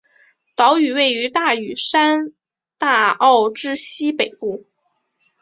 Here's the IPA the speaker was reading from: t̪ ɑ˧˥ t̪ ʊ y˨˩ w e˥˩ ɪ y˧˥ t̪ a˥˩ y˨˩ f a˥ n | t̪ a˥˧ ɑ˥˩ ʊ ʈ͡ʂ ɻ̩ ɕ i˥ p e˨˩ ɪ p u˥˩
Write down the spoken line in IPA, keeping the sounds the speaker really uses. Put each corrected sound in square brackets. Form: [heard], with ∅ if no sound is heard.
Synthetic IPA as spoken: t̪ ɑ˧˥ [∅] ʊ y˨˩ w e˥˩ ɪ y˧˥ t̪ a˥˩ y˨˩ [ʂ] a˥ n | t̪ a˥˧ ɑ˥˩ ʊ ʈ͡ʂ ɻ̩ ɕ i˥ p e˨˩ ɪ p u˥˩